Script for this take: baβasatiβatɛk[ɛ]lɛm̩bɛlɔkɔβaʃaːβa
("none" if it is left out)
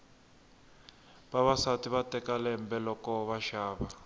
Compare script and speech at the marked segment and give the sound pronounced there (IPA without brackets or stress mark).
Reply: a